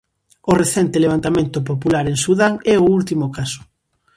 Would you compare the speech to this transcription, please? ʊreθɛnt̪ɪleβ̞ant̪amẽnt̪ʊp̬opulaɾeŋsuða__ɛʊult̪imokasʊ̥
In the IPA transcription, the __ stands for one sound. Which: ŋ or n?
ŋ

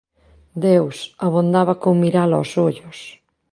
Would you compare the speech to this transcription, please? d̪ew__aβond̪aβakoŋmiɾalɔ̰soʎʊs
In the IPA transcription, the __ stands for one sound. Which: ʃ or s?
s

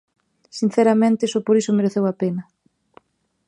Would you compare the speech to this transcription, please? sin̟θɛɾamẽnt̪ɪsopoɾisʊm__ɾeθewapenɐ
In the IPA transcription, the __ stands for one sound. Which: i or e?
e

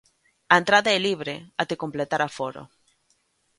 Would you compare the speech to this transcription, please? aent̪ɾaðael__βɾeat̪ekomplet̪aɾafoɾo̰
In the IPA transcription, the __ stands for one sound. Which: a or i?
i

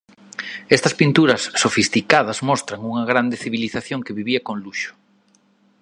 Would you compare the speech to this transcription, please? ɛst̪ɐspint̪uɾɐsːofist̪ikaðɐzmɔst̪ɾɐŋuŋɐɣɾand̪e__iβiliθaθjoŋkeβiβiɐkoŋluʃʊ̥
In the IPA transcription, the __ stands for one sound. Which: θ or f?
θ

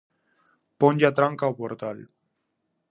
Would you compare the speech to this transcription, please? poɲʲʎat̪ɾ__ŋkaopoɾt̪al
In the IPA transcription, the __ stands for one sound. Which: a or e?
a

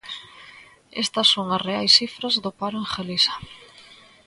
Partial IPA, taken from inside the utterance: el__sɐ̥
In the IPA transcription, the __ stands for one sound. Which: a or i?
i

